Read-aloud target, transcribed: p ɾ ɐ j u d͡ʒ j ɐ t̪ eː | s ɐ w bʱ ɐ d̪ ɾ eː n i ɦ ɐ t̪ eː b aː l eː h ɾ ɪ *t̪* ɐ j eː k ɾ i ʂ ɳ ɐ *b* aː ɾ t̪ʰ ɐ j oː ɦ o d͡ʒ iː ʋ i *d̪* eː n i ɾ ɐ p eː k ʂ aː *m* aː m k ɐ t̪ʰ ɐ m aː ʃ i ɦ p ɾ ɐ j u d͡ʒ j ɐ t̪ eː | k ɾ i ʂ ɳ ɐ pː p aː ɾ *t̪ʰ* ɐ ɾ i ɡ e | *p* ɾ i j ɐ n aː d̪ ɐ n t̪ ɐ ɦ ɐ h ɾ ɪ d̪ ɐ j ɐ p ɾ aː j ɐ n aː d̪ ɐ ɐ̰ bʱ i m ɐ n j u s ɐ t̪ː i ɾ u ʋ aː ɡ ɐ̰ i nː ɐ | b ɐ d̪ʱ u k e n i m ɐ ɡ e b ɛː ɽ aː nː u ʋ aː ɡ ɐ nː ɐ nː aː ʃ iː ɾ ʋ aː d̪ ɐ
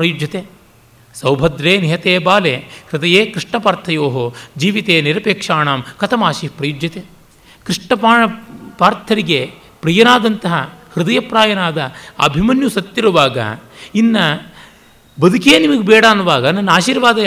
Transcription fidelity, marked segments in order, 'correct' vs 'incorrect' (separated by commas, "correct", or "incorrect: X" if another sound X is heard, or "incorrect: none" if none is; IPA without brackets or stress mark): incorrect: d̪, incorrect: p, incorrect: t̪, incorrect: ɳ, correct, correct